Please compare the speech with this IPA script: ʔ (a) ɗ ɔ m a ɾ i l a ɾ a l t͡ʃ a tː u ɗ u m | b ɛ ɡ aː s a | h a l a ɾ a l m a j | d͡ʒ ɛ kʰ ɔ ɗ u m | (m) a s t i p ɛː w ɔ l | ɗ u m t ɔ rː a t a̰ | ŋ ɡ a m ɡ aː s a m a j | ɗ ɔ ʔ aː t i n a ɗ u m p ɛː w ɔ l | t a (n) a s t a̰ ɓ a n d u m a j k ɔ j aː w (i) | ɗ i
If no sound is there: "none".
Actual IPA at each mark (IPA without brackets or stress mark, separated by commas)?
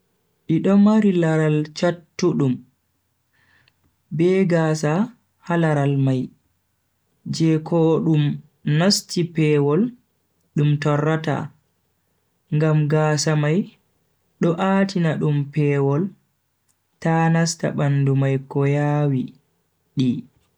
i, n, n, i